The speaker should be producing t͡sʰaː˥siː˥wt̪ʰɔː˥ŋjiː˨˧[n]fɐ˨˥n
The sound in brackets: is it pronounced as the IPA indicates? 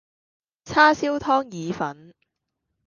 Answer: no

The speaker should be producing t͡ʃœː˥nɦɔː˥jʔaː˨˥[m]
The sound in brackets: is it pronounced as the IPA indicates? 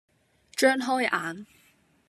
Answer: no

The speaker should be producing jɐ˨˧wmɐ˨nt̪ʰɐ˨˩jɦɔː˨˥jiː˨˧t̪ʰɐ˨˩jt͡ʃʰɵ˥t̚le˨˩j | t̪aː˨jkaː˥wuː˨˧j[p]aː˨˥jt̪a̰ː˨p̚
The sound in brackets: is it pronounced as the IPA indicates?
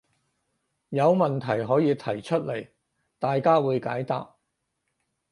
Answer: no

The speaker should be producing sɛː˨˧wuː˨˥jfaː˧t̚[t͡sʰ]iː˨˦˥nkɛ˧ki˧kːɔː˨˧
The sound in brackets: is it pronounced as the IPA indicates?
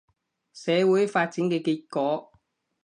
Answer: no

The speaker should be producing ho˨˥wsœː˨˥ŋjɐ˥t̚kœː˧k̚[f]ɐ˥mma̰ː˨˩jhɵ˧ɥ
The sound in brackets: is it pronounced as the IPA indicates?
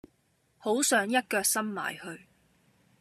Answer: no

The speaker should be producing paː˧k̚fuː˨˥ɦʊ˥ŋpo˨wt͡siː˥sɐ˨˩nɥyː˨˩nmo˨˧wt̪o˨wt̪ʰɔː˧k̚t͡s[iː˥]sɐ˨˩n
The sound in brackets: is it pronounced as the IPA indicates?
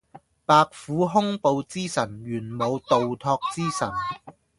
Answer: yes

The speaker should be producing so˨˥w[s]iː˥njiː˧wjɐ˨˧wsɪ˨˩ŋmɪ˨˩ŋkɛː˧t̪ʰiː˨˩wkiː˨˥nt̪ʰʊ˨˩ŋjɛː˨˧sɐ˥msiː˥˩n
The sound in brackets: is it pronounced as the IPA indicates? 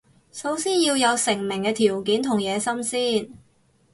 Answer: yes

